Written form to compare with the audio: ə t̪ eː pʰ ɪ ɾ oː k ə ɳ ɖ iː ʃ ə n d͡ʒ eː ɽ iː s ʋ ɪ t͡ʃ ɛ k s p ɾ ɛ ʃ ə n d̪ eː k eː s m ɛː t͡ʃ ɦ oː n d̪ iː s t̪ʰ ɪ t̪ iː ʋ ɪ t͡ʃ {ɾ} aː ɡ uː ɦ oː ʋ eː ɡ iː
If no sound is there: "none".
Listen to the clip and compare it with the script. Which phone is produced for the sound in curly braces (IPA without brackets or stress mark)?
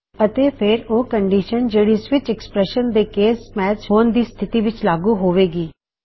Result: l